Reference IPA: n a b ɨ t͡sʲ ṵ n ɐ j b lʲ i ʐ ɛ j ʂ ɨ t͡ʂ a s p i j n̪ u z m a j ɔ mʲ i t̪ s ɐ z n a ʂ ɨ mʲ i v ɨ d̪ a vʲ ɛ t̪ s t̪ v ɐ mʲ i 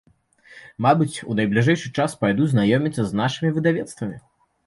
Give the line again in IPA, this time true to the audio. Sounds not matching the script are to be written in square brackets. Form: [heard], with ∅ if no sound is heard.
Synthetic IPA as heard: [m] a b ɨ t͡sʲ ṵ n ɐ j b lʲ i ʐ ɛ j ʂ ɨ t͡ʂ a s p [a] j [d̪] u z [n] a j ɔ mʲ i t̪ s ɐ z n a ʂ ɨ mʲ i v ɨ d̪ a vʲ ɛ t̪ s t̪ v ɐ mʲ i

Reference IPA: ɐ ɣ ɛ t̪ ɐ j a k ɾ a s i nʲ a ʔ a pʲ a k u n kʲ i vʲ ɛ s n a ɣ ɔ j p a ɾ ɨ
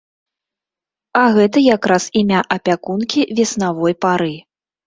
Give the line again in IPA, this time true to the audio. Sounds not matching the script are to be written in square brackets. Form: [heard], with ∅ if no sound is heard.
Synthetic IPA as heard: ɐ ɣ ɛ t̪ ɐ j a k ɾ a s i [mʲ] a ʔ [ɐ] pʲ a k u n kʲ i vʲ ɛ s n a [v] ɔ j p a ɾ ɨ

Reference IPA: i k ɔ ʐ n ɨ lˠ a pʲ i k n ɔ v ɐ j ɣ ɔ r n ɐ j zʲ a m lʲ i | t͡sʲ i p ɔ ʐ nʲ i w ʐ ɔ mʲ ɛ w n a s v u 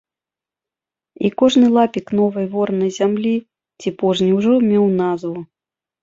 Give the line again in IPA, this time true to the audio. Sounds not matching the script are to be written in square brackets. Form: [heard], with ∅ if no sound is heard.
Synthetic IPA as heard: i k ɔ ʐ n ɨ lˠ a pʲ i k n ɔ v ɐ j [v] ɔ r n ɐ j zʲ a m lʲ i | t͡sʲ i p ɔ ʐ nʲ i w ʐ ɔ mʲ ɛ w n a [z] v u

